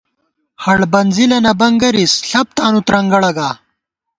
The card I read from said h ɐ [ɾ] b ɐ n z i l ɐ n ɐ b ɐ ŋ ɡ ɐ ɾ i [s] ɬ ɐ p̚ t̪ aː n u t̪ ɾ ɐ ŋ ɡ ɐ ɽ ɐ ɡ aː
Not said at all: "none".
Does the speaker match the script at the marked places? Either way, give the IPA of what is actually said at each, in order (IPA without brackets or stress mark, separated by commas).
ɽ, s